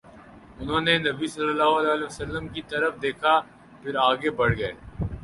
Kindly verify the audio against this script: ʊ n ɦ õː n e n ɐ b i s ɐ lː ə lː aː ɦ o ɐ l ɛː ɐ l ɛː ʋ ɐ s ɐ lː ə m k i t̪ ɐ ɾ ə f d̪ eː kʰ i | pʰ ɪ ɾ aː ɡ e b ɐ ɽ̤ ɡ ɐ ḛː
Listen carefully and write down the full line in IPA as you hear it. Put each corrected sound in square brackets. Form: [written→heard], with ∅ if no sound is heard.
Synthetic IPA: ʊ n ɦ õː n e n ɐ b i s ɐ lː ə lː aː ɦ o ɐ l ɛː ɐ l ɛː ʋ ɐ s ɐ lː ə m k i t̪ ɐ ɾ ə f d̪ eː kʰ [i→a] | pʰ ɪ ɾ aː ɡ e b ɐ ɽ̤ ɡ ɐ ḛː